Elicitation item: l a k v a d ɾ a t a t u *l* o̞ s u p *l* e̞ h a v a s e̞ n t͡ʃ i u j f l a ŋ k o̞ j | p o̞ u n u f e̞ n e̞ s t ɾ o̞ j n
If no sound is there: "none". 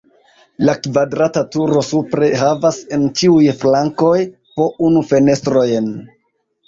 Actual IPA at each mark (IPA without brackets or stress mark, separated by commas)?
ɾ, ɾ